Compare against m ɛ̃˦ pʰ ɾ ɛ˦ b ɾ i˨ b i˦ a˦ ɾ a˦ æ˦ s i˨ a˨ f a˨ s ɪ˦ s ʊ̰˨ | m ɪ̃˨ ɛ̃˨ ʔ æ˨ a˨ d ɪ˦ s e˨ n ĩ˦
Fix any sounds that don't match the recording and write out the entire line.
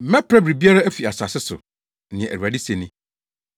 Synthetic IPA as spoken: m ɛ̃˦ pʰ ɾ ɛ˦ b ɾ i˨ b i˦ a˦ ɾ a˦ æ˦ f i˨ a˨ s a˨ s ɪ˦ s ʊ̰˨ | n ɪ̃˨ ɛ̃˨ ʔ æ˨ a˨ d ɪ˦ s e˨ n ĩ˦